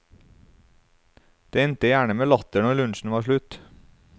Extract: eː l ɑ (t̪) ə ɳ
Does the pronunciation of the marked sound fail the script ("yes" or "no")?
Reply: no